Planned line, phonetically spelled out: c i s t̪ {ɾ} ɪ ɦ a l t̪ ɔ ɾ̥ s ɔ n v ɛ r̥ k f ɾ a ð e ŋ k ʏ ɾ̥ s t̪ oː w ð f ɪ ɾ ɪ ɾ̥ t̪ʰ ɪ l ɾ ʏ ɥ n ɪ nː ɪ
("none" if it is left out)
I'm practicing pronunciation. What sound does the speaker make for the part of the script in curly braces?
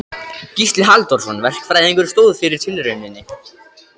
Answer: l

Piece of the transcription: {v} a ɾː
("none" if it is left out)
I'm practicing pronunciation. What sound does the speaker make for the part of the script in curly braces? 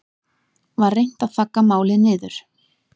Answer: v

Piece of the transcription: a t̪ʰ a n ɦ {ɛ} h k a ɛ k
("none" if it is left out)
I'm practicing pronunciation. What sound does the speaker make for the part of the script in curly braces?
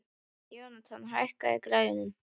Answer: a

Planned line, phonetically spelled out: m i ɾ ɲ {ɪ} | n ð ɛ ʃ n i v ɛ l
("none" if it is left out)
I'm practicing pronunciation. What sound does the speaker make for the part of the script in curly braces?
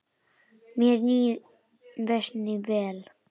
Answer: i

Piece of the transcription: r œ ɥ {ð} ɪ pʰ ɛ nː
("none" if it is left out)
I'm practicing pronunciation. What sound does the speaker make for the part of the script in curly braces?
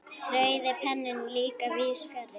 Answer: ð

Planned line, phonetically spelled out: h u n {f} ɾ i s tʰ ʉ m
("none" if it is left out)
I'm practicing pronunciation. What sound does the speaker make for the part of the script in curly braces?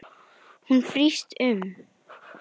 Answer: f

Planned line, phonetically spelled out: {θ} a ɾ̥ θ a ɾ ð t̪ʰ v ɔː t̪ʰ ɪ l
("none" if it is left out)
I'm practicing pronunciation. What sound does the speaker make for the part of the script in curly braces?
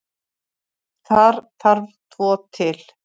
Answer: θ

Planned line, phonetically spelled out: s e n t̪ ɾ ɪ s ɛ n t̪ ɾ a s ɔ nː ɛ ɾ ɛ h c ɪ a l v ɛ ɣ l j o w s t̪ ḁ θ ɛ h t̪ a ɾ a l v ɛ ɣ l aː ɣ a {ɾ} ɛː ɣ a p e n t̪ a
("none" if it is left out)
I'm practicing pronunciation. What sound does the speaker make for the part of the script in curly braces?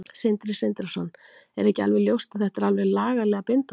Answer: l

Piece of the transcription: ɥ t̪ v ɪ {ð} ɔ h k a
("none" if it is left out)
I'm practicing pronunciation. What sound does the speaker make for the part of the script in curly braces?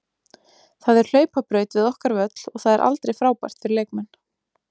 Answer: ð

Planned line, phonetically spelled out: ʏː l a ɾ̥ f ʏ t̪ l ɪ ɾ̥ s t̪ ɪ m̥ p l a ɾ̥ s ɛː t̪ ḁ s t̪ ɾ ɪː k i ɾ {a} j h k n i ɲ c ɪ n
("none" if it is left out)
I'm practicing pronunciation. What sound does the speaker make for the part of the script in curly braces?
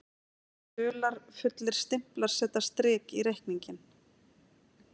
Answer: e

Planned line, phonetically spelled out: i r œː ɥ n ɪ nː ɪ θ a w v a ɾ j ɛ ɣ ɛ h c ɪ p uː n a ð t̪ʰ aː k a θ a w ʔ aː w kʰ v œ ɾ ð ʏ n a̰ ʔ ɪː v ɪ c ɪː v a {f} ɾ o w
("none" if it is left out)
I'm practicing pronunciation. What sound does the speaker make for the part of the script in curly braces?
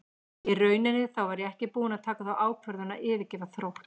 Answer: θ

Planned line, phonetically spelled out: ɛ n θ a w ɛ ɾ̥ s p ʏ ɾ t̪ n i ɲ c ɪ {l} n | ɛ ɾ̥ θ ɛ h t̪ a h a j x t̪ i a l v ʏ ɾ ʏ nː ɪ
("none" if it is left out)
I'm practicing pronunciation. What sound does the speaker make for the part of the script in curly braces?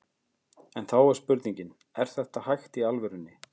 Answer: none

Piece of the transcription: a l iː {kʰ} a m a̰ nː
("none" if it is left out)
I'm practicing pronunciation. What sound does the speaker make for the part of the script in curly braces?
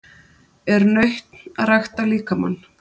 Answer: k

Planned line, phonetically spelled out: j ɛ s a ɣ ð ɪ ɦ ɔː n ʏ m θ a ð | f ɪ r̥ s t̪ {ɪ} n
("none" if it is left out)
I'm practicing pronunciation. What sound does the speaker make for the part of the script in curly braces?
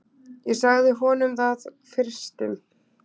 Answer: ɪ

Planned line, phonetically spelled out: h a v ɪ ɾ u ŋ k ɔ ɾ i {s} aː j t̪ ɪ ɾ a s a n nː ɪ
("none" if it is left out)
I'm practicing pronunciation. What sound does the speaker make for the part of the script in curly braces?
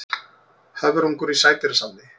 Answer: s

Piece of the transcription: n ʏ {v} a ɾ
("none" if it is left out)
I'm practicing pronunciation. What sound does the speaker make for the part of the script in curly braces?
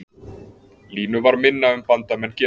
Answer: v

